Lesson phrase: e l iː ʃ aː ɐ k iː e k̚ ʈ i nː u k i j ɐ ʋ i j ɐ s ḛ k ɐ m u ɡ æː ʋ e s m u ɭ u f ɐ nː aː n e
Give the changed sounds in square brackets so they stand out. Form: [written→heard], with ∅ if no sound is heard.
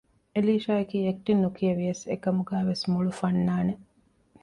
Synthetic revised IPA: e l iː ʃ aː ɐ k iː e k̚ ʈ i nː u k i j ɐ ʋ i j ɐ s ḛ k ɐ m u ɡ æː ʋ e s m u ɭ u f ɐ nː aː n e